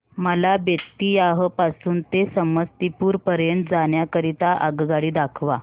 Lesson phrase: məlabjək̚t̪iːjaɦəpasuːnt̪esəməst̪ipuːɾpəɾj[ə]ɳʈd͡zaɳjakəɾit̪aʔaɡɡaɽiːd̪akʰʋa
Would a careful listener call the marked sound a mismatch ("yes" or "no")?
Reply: no